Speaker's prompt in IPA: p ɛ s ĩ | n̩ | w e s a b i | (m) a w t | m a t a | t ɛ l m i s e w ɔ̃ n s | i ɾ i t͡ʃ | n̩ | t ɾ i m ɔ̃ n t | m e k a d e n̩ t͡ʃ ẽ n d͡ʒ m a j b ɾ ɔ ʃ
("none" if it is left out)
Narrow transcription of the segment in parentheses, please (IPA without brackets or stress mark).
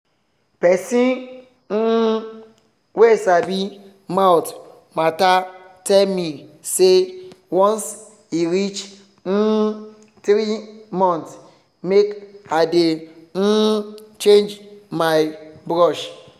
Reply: m